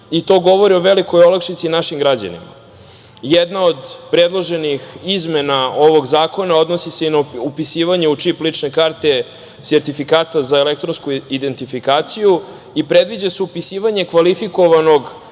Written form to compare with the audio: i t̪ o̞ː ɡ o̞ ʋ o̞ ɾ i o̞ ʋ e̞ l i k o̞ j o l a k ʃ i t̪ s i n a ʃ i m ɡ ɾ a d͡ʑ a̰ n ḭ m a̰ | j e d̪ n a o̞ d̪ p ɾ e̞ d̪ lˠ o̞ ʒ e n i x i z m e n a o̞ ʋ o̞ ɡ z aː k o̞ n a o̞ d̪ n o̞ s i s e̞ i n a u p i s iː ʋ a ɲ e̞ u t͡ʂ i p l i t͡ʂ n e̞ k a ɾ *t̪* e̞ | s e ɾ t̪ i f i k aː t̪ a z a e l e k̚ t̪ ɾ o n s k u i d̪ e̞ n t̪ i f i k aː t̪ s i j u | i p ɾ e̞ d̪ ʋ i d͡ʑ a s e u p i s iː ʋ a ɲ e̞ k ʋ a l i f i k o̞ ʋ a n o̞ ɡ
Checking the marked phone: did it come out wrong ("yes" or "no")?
no